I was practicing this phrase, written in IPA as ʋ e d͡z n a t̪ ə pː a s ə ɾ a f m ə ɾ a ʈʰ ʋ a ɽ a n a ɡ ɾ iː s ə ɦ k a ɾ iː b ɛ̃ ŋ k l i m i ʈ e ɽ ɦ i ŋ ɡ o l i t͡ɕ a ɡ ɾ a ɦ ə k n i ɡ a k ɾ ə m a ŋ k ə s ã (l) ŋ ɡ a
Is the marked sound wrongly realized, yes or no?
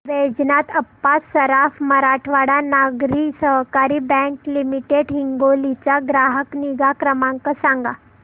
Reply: yes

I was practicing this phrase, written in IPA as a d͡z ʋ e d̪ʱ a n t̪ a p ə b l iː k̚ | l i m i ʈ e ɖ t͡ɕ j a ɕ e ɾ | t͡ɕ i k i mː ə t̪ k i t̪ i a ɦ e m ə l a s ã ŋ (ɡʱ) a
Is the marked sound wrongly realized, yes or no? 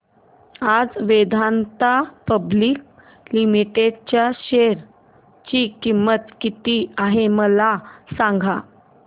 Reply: no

